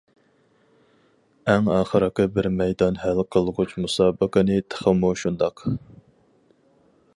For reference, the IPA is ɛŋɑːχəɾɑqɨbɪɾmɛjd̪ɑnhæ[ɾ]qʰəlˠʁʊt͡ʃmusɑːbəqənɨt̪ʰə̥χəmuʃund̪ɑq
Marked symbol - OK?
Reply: no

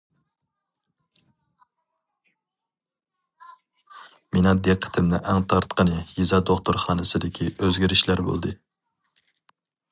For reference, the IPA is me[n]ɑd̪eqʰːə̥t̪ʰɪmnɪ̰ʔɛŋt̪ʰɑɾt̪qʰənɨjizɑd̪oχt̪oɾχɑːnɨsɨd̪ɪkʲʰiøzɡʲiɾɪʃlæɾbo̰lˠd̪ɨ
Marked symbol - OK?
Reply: yes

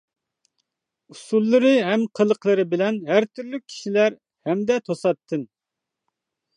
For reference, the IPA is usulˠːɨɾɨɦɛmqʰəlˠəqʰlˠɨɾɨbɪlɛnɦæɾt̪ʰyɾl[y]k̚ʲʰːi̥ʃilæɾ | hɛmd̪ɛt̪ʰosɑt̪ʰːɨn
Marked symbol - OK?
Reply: yes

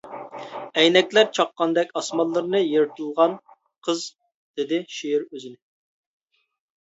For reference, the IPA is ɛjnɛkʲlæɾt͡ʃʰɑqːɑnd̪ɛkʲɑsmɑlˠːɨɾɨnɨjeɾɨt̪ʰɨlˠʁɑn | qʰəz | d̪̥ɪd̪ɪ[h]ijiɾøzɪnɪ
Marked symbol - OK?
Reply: no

